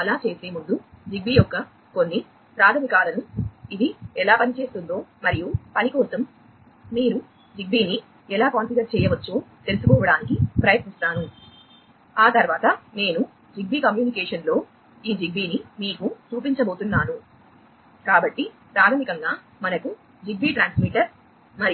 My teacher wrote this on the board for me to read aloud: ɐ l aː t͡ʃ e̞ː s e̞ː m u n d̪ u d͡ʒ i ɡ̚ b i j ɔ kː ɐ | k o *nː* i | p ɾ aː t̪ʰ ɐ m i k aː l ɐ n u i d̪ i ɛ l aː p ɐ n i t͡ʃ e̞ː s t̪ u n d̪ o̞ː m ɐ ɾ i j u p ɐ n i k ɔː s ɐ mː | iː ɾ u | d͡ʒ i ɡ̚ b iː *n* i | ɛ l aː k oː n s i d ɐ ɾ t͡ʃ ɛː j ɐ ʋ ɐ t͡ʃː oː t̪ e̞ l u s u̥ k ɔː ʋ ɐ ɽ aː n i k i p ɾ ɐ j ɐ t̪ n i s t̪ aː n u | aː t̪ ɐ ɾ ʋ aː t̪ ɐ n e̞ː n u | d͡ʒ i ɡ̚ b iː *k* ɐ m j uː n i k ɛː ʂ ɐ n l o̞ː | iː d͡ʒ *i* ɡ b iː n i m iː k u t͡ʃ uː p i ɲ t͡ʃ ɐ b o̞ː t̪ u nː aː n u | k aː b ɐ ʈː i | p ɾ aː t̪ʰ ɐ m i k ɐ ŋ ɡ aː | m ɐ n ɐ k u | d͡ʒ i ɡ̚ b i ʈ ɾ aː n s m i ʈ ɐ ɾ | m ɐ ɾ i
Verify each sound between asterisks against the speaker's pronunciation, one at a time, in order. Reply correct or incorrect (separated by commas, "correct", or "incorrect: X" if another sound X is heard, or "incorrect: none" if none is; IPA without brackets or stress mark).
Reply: correct, correct, correct, correct